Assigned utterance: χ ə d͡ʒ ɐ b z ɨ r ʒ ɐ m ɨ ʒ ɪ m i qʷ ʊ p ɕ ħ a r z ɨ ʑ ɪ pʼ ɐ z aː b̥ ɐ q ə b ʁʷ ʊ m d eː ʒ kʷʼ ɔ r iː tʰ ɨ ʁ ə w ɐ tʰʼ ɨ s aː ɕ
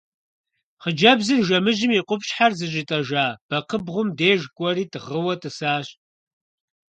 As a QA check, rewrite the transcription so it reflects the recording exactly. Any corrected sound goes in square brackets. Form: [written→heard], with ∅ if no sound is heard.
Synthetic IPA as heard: χ ə d͡ʒ ɐ b z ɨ r ʒ ɐ m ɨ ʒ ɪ m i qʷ ʊ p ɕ ħ a r z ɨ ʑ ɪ [pʼ→tʼ] ɐ [z→ʒ] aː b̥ ɐ q ə b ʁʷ ʊ m d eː ʒ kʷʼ ɔ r iː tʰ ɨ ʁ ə w ɐ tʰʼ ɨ s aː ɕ